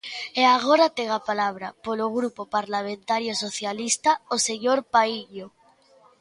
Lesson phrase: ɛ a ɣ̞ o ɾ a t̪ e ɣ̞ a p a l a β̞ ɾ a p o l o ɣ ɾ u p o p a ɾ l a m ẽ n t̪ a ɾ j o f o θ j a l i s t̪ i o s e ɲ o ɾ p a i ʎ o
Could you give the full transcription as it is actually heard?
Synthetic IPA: e a ɣ̞ o ɾ a t̪ e ɣ̞ a p a l a β̞ ɾ a p o l o ɣ ɾ u p o p a ɾ l a m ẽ n t̪ a ɾ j o s o θ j a l i s t̪ a o s e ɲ o ɾ p a i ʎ o